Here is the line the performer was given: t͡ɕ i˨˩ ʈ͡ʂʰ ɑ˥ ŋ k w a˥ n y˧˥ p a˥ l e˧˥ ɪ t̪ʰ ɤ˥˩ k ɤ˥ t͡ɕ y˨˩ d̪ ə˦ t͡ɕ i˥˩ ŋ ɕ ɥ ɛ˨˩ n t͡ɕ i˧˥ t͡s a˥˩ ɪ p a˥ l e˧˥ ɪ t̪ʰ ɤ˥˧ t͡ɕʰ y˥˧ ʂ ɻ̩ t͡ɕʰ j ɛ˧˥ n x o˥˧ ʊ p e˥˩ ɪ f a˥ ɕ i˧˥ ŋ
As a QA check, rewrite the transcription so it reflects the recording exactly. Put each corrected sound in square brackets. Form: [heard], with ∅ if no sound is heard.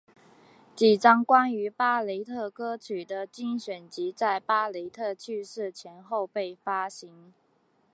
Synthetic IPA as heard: t͡ɕ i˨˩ [ʈ͡ʂ] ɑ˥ ŋ k w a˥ n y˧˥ p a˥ l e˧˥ ɪ t̪ʰ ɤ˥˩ k ɤ˥ [t͡ɕʰ] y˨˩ d̪ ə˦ t͡ɕ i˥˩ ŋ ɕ ɥ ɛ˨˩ n t͡ɕ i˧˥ t͡s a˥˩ ɪ p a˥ l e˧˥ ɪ t̪ʰ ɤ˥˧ t͡ɕʰ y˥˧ ʂ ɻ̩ t͡ɕʰ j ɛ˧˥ n x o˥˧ ʊ p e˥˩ ɪ f a˥ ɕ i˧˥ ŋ